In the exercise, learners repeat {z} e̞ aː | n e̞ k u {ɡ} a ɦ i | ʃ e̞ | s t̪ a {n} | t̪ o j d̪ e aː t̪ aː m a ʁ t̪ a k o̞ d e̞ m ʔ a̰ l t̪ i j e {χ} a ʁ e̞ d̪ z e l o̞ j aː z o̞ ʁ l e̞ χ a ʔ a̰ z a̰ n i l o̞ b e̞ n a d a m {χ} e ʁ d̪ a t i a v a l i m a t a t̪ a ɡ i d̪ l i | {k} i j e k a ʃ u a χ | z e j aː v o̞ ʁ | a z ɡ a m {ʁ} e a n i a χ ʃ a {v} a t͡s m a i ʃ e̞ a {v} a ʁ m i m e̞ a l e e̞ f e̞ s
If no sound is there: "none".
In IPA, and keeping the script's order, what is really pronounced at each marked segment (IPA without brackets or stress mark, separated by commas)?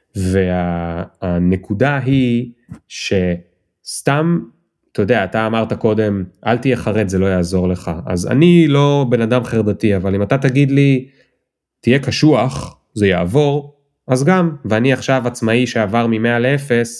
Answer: v, d, m, χ, χ, t, v, v, v